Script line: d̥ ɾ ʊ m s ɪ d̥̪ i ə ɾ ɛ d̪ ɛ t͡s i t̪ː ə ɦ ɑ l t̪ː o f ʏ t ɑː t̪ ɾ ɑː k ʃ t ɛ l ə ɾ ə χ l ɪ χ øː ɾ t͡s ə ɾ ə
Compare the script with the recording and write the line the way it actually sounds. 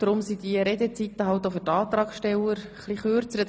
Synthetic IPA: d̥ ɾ ʊ m s i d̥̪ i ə ɾ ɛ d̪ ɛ t͡s i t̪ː ə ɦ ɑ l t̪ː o f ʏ t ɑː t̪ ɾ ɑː k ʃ t ɛ l ə ɾ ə χ l i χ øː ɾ t͡s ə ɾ ə